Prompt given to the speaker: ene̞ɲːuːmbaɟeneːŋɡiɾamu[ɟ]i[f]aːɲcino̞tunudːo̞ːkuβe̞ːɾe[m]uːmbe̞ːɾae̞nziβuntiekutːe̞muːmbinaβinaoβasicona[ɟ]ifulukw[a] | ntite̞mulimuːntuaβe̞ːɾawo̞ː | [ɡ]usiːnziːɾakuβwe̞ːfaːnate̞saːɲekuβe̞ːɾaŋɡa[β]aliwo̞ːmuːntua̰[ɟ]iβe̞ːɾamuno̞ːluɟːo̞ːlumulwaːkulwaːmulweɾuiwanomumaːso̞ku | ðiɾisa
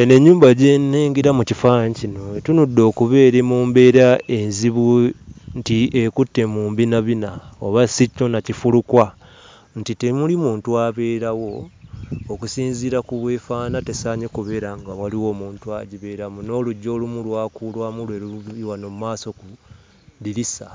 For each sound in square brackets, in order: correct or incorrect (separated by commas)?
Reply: incorrect, correct, correct, incorrect, correct, incorrect, incorrect, correct